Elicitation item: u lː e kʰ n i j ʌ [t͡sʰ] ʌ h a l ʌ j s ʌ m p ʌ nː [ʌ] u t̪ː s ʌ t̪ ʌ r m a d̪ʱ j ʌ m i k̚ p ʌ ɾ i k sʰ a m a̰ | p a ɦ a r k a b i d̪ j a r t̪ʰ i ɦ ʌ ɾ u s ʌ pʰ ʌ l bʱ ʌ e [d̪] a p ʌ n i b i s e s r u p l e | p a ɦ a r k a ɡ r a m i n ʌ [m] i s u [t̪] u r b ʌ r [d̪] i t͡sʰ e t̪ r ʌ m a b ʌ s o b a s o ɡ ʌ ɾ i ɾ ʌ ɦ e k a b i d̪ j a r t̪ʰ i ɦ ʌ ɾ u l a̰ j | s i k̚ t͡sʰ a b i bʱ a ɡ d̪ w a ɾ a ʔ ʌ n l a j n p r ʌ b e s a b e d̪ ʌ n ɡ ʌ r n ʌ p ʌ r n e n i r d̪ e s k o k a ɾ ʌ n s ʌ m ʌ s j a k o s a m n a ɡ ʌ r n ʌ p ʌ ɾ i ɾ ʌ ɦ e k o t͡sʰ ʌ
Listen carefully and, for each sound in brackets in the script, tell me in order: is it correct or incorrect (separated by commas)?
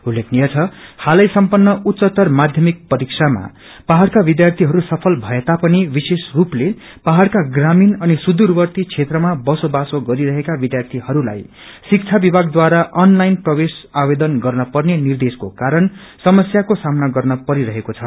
correct, correct, incorrect, incorrect, incorrect, incorrect